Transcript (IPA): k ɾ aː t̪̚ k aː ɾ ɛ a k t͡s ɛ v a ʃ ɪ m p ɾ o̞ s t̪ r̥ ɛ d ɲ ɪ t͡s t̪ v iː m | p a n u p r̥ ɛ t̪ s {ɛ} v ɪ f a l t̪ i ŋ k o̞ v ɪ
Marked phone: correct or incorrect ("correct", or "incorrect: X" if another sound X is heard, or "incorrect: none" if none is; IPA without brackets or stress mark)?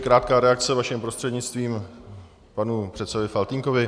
correct